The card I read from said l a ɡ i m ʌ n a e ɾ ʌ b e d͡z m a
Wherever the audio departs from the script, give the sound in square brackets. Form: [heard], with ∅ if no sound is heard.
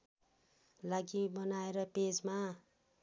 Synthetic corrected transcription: l a ɡ i [b] ʌ n a e ɾ ʌ [p] e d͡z m a